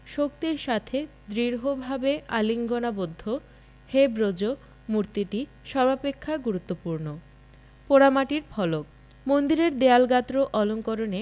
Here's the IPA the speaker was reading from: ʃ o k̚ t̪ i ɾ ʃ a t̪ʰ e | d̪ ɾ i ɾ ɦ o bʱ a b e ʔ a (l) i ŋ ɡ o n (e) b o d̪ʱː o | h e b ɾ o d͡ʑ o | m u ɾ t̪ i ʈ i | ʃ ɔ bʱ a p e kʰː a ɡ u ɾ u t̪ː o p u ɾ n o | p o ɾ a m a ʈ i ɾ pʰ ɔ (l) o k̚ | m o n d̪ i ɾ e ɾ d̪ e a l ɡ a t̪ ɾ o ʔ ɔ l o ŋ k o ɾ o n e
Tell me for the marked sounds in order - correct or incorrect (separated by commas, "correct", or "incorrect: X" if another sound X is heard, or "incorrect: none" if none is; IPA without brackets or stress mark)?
correct, incorrect: a, correct